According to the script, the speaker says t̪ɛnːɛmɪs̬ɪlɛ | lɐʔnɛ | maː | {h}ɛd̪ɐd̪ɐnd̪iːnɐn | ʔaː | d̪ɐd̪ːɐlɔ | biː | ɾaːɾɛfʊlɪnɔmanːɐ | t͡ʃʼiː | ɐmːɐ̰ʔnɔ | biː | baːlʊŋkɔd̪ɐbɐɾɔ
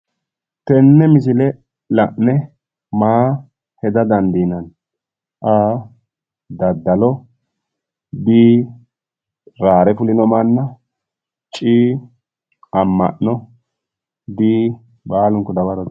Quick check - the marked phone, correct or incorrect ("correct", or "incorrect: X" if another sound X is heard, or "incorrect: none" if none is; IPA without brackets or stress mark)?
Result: correct